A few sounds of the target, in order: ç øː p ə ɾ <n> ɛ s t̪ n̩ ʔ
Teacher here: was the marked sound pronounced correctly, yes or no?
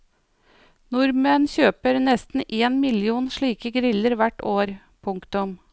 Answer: yes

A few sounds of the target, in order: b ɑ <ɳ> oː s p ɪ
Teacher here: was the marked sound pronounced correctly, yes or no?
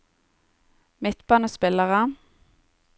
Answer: no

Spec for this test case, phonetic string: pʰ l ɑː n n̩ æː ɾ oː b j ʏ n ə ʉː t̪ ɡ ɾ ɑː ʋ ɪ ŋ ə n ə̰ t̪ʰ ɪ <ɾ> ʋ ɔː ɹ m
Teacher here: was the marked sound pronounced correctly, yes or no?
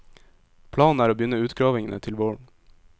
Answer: no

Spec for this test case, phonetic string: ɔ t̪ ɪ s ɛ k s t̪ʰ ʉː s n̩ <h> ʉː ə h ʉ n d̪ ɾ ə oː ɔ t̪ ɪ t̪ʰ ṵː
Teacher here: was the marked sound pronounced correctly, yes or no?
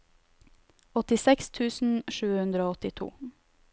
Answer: no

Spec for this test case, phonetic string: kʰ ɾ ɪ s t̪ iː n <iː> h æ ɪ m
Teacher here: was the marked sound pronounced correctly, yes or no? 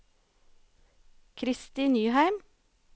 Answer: no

